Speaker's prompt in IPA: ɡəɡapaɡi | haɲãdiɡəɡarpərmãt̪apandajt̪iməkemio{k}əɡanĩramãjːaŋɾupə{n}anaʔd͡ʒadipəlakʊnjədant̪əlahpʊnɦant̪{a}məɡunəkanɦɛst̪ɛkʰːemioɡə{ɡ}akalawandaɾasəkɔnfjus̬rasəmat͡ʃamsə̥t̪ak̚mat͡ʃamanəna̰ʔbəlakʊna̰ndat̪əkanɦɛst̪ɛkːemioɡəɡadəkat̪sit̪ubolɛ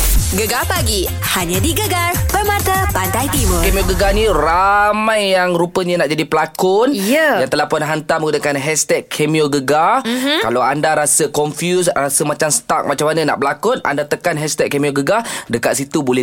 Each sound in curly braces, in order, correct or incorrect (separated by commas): incorrect, incorrect, correct, correct